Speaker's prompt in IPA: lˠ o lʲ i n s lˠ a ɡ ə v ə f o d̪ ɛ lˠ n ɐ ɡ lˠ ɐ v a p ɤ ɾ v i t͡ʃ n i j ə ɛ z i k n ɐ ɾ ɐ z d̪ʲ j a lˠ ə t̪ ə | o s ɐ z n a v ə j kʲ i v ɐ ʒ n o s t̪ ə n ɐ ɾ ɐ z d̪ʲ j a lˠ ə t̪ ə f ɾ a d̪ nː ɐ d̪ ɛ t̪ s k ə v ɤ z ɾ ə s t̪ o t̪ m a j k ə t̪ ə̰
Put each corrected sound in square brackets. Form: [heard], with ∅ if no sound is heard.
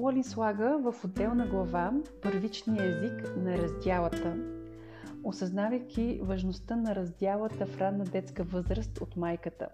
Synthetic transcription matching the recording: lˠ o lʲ i n s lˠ a ɡ ə v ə f o d̪ ɛ lˠ n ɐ ɡ lˠ ɐ v a p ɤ ɾ v i t͡ʃ n i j ə ɛ z i k n ɐ ɾ ɐ z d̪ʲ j a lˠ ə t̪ ə | o s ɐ z n a v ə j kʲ i v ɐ ʒ n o s t̪ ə n ɐ ɾ ɐ z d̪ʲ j a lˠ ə t̪ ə f ɾ a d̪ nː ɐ d̪ ɛ t̪ s k ə v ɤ z ɾ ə s t̪ o t̪ m a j k ə t̪ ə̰